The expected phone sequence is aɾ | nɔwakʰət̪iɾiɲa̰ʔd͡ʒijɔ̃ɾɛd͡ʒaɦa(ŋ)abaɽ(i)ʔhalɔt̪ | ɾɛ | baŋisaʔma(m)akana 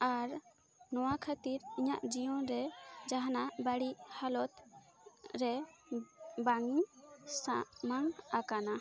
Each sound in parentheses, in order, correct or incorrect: incorrect: n, correct, incorrect: ŋ

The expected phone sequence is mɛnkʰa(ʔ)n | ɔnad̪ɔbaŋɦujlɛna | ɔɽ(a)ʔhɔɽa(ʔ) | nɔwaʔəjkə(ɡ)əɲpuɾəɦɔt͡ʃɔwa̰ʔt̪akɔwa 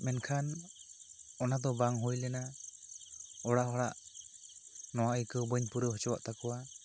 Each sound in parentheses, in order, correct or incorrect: incorrect: none, correct, correct, incorrect: b

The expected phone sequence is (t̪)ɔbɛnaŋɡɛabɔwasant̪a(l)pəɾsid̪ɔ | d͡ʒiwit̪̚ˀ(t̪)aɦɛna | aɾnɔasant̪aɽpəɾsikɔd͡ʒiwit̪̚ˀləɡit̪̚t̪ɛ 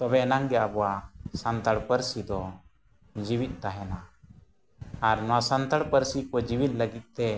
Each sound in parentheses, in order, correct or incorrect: correct, incorrect: ɽ, correct

